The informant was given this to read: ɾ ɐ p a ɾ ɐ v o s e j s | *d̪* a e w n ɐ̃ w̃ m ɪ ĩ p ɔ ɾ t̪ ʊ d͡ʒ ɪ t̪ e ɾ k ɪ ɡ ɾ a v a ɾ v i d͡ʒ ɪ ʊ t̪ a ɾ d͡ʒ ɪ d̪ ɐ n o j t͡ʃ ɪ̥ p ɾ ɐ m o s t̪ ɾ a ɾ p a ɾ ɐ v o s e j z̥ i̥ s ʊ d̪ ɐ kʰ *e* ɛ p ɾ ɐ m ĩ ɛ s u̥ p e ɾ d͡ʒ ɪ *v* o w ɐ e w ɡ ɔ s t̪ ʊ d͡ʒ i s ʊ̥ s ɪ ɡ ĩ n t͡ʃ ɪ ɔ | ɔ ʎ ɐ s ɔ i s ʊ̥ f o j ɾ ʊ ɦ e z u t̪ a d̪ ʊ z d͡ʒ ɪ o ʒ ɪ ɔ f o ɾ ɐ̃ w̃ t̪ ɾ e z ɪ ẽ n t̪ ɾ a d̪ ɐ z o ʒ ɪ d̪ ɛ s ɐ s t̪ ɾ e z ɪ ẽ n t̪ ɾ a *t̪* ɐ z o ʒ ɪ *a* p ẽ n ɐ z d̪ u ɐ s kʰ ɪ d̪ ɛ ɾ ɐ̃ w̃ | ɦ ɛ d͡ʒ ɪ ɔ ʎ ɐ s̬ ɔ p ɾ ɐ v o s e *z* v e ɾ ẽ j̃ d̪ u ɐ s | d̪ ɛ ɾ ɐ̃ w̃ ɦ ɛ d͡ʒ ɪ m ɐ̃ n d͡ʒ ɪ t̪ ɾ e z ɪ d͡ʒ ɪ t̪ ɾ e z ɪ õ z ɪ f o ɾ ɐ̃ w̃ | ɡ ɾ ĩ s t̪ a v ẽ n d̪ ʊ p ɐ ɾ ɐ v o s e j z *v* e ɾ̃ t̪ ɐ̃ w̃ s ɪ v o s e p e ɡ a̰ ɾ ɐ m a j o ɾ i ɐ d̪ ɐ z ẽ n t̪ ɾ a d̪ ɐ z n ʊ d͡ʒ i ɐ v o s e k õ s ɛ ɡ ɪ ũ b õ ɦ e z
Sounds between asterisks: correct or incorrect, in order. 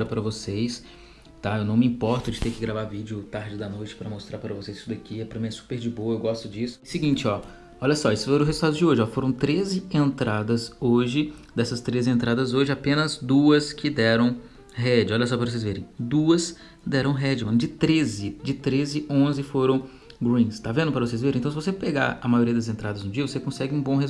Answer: incorrect, incorrect, incorrect, incorrect, correct, correct, correct

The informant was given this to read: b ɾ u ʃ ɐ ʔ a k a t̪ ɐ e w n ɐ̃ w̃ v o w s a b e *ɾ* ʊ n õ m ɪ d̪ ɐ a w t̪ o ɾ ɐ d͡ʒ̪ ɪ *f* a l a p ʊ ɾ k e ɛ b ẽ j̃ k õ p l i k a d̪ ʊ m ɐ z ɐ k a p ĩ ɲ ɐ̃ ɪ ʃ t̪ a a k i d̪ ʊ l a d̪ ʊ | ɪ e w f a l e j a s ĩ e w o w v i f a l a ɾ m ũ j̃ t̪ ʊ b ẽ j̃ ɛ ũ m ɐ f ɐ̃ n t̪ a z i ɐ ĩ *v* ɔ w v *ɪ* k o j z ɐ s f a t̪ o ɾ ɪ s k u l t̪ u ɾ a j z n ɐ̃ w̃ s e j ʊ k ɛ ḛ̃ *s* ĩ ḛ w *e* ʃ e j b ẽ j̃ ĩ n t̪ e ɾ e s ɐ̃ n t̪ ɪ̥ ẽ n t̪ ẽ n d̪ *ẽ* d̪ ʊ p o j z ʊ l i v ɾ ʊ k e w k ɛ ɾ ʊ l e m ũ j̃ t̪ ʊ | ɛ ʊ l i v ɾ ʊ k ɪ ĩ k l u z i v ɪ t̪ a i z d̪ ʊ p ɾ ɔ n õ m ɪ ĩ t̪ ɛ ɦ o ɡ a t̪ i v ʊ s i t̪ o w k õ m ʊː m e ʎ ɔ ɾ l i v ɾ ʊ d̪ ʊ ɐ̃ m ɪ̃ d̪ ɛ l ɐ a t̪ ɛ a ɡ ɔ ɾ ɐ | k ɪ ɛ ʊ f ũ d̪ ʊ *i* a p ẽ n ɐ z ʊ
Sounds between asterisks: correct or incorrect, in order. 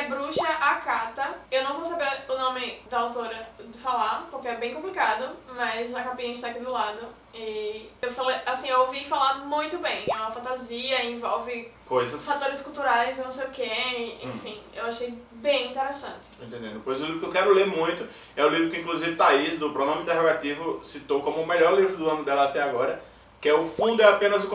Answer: correct, correct, correct, correct, incorrect, incorrect, correct, incorrect

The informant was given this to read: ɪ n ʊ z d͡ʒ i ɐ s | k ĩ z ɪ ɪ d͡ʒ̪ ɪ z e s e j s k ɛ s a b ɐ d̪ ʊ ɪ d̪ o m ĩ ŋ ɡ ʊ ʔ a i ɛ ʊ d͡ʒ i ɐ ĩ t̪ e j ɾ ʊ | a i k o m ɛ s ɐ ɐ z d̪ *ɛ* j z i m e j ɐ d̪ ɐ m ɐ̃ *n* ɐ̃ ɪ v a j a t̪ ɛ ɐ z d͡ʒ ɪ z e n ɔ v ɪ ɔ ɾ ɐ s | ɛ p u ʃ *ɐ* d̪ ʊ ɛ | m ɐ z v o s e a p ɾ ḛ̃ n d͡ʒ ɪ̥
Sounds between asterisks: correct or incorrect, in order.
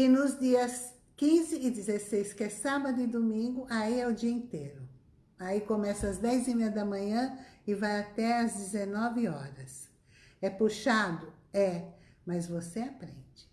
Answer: correct, incorrect, incorrect

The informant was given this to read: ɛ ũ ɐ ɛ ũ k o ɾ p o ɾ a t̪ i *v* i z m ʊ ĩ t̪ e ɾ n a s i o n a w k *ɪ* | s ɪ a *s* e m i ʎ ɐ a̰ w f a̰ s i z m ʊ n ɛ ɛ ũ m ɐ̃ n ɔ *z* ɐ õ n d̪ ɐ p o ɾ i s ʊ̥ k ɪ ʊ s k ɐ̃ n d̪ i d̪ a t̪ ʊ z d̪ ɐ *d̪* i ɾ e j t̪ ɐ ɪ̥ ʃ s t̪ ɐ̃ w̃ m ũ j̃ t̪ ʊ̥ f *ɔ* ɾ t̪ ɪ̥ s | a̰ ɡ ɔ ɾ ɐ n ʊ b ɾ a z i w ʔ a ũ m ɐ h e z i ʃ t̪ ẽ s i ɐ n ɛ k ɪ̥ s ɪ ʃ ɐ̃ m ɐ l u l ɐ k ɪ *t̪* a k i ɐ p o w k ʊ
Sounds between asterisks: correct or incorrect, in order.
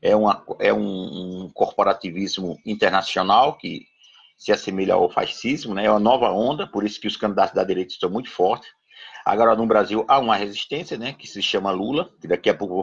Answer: correct, correct, correct, incorrect, correct, correct, incorrect

